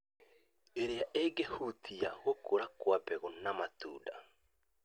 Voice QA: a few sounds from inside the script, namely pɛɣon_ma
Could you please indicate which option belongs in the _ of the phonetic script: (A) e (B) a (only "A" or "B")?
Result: B